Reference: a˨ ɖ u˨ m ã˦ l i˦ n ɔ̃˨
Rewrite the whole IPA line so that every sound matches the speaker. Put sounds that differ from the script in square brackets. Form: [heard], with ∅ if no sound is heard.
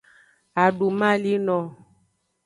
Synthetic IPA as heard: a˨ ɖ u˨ m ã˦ l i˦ n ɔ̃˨